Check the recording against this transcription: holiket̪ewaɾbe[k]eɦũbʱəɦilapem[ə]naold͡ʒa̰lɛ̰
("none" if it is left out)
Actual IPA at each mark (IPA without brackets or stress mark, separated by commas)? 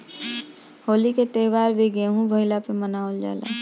ɡ, ə